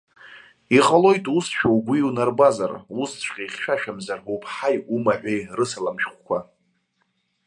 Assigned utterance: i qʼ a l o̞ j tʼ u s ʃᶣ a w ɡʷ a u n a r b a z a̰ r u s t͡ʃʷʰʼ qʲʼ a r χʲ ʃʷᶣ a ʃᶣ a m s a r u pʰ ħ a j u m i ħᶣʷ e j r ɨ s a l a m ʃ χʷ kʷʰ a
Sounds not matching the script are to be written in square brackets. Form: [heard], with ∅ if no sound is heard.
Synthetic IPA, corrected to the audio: i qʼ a l o̞ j tʼ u s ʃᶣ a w ɡʷ [i] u n a r b a z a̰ r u s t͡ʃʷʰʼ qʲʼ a [∅] χʲ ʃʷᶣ a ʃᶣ a m [z] a r u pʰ ħ a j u m [a] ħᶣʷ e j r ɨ s a l a m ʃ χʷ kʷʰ a